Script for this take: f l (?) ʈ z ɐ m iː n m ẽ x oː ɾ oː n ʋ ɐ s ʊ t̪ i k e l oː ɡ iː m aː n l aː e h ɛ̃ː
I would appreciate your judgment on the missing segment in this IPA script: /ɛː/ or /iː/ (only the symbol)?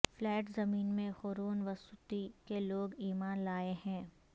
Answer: ɛː